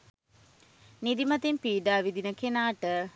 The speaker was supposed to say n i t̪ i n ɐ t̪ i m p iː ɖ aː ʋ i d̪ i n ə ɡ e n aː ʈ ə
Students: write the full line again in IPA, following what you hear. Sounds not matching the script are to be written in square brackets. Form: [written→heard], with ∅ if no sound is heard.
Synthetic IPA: n i [t̪→d̪] i [n→m] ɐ t̪ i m p iː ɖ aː ʋ i d̪ i n ə [ɡ→k] e n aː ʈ ə